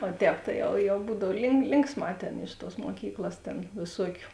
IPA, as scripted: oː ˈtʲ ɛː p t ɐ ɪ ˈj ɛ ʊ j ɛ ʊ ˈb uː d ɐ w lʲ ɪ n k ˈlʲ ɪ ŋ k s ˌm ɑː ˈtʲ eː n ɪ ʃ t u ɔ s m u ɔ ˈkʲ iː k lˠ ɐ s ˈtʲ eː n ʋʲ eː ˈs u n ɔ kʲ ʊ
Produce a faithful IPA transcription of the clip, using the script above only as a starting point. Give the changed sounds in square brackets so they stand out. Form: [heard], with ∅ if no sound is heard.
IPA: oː ˈtʲ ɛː p t ɐ ɪ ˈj ɛ ʊ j ɛ ʊ ˈb uː d ɐ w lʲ ɪ [ŋ] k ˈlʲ ɪ ŋ k s ˌm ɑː ˈtʲ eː n ɪ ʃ t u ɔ s m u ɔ ˈkʲ iː k lˠ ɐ s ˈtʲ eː n ʋʲ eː ˈs u [∅] ɔ kʲ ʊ